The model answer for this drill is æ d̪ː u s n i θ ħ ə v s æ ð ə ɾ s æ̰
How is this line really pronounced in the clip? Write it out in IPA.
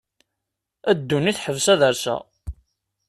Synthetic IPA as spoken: æ d̪ː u n i θ ħ ə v s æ ð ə ɾ s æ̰

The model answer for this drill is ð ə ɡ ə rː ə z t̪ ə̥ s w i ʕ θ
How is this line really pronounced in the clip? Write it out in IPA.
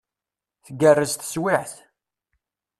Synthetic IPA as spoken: θ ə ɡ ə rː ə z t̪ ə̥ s w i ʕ θ

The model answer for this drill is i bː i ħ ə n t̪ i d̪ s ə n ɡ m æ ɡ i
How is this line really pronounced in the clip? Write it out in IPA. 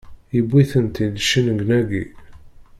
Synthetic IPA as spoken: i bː i θ ə n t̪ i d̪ ʃ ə n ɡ n æ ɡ i

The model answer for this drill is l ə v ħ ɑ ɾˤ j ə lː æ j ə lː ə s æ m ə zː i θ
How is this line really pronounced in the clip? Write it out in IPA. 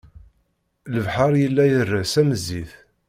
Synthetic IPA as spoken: l ə v ħ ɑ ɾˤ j ə lː æ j ə rː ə s æ m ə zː i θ

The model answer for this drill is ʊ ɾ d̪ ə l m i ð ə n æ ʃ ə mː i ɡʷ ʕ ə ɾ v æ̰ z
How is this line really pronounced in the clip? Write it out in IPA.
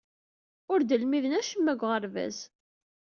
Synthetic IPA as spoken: ʊ ɾ d̪ ə l m i ð ə n æ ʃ ə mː æ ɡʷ ʁ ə ɾ v æ̰ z

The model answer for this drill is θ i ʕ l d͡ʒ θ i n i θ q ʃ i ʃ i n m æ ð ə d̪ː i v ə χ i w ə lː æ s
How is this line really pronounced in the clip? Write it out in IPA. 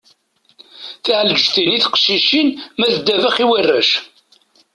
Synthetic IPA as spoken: θ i ʕ l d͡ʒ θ i n i θ q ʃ i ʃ i n m æ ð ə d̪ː æ v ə χ i w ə rː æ ʃ

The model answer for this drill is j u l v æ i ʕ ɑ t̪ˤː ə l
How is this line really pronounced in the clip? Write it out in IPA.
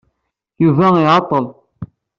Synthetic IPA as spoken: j u v æ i ʕ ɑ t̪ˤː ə l

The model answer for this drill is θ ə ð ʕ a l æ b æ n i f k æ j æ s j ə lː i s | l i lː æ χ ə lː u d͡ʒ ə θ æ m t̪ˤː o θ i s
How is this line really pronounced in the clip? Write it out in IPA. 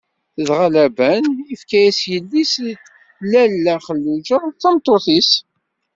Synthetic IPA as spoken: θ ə ð ʁ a l æ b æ n i f k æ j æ s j ə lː i s | l æ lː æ χ ə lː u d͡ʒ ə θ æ m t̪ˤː o θ i s

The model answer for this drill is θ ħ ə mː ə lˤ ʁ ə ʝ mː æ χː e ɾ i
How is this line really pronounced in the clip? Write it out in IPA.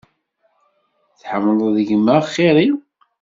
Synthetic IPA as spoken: θ ħ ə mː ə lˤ ð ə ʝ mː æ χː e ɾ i

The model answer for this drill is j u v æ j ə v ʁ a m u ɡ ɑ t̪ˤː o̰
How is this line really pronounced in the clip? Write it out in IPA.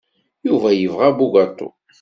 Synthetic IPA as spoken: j u v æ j ə v ʁ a b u ɡ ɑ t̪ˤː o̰

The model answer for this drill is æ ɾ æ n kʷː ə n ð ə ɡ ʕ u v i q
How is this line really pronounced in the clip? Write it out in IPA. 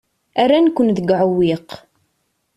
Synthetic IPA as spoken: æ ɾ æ n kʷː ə n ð ə ɡ ʕ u w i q

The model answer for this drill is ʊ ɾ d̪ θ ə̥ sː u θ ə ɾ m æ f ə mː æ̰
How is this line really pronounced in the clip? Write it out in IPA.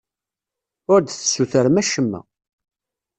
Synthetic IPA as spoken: ʊ ɾ d̪ θ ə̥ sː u θ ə ɾ m æ ʃ ə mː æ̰

